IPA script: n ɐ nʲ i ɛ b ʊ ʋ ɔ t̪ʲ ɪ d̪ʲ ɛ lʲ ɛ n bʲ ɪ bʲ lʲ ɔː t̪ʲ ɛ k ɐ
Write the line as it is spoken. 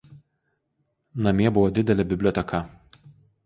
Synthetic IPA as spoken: n ɐ mʲ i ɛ b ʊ ʋ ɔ d̪ʲ ɪ d̪ʲ ɛ lʲ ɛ bʲ ɪ bʲ lʲ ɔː t̪ʲ ɛ k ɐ